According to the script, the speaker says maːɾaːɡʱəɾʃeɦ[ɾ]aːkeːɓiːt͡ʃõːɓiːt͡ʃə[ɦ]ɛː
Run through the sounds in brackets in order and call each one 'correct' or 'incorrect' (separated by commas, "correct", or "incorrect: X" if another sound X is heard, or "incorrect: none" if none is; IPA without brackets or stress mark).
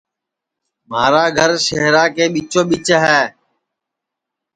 correct, correct